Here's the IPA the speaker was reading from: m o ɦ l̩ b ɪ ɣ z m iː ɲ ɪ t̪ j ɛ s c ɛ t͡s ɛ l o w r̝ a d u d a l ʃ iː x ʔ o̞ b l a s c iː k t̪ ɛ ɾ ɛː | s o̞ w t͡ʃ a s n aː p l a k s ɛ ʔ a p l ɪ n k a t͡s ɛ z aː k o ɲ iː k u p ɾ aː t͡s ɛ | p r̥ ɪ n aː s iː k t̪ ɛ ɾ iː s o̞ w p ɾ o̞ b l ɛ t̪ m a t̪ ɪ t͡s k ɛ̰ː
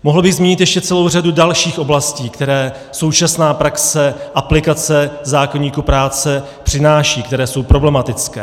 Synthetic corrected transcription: m o ɦ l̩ b ɪ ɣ z m iː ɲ ɪ t̪ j ɛ ʃ c ɛ t͡s ɛ l o w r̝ a d u d a l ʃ iː x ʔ o̞ b l a s c iː k t̪ ɛ ɾ ɛː | s o̞ w t͡ʃ a s n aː p ɾ a k s ɛ ʔ a p l ɪ k a t͡s ɛ z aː k o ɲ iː k u p ɾ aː t͡s ɛ | p r̥ ɪ n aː ʃ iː k t̪ ɛ ɾ ɛː s o̞ w p ɾ o̞ b l ɛ m a t̪ ɪ t͡s k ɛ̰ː